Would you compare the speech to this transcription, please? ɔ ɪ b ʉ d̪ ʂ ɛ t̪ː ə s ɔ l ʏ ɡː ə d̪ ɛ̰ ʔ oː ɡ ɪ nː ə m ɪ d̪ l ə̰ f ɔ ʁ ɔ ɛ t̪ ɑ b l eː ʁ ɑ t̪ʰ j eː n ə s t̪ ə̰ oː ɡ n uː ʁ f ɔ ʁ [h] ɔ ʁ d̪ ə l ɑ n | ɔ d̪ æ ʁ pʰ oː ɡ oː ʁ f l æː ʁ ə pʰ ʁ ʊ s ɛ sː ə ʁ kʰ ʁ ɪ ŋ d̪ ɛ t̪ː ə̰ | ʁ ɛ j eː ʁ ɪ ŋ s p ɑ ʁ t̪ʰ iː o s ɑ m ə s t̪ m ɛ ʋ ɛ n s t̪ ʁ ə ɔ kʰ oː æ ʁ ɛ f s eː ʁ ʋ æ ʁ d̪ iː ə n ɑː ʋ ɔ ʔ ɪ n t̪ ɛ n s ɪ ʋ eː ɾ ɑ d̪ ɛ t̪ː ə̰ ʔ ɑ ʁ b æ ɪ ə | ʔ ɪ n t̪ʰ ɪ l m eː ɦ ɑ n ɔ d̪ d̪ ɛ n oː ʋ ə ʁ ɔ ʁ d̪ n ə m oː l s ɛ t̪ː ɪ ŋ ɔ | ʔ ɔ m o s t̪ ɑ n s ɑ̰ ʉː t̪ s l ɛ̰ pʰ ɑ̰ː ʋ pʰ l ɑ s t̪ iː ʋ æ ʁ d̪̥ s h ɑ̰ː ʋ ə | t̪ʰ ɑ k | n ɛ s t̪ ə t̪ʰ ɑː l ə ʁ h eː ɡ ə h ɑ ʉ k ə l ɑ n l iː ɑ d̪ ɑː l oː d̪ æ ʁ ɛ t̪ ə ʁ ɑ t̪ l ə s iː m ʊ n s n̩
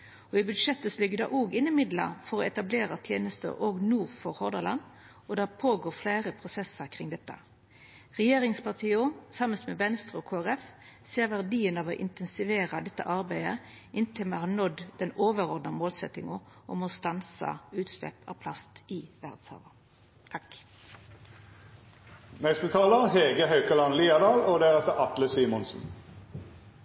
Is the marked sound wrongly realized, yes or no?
no